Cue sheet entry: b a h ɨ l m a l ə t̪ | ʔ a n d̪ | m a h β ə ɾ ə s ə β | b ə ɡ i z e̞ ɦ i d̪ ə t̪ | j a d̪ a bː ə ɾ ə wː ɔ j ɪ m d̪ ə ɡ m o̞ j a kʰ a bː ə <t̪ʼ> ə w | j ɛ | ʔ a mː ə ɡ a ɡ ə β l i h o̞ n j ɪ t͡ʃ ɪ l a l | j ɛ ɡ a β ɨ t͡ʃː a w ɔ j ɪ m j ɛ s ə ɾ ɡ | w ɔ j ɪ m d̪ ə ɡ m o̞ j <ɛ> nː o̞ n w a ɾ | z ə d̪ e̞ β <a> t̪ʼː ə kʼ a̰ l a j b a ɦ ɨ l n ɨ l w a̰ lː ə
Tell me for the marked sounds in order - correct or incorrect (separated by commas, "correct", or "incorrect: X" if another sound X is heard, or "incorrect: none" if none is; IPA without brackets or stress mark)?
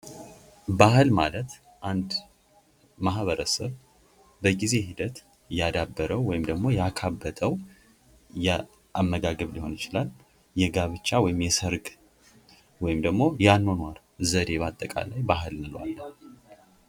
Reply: correct, incorrect: a, correct